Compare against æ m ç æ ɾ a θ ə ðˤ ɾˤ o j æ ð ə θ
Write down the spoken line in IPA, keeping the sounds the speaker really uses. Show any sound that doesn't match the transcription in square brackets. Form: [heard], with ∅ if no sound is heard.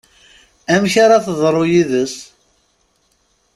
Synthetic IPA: æ m ç [a] ɾ a θ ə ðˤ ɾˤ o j [i] ð ə [s]